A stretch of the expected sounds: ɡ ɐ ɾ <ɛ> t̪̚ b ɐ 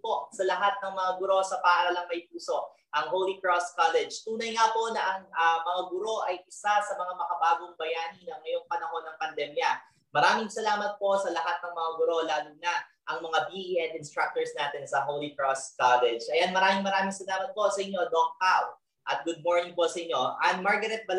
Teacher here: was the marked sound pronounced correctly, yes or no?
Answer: yes